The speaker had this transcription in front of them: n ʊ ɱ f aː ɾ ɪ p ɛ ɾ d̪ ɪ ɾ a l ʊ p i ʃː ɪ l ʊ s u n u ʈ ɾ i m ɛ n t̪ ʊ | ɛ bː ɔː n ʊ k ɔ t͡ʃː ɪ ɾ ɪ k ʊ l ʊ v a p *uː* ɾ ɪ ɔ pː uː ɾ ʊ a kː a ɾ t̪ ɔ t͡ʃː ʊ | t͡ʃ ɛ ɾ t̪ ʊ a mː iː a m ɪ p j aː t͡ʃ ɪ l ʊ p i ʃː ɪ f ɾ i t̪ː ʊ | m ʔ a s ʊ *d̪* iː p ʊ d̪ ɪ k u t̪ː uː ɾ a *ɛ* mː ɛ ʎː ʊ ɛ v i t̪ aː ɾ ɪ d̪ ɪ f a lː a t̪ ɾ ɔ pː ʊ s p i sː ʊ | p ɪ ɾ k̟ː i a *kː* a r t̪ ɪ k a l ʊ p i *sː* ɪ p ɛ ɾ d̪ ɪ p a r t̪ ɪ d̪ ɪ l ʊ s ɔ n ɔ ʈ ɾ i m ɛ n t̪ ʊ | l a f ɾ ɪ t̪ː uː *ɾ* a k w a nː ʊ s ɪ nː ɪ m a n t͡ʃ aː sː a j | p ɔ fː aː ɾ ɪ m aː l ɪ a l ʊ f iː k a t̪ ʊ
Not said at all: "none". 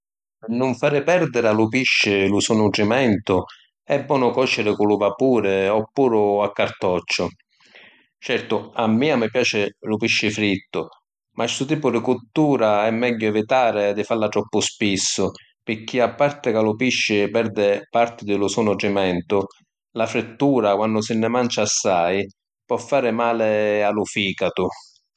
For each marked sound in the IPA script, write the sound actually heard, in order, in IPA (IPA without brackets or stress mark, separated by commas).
uː, t̪, ɛ, pː, ʃː, ɾ